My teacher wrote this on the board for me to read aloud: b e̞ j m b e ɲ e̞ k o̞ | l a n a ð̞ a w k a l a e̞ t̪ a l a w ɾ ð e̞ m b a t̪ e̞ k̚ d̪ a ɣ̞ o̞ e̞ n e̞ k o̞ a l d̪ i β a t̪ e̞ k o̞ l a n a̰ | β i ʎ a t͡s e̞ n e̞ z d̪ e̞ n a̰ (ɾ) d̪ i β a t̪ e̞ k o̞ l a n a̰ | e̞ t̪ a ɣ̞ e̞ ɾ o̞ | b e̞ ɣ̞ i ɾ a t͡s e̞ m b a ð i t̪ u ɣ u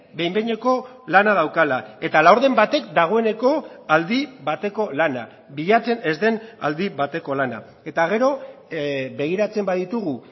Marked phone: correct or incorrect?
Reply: incorrect